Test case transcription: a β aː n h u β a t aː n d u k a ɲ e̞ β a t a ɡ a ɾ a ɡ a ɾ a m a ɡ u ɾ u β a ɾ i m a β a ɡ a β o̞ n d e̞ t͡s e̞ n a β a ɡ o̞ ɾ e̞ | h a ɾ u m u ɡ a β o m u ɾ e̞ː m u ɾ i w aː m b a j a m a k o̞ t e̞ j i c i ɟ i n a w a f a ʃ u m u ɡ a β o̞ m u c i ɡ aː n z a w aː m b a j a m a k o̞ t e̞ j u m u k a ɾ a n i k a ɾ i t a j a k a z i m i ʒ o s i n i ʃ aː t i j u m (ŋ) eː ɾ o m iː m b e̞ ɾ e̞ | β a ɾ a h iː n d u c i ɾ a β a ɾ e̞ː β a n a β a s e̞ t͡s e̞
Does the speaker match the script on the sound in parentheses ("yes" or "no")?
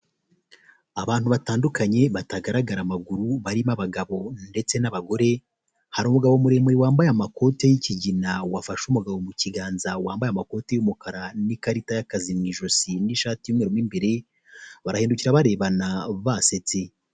yes